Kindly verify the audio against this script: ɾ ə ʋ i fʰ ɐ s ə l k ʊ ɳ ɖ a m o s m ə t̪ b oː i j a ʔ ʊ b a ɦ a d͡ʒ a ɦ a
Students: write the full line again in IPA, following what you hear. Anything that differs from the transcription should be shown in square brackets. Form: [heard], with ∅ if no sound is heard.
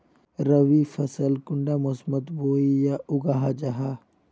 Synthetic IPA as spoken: ɾ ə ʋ i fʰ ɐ s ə l k ʊ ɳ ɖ a m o s m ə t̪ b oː i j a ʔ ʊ [ɡ] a ɦ a d͡ʒ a ɦ a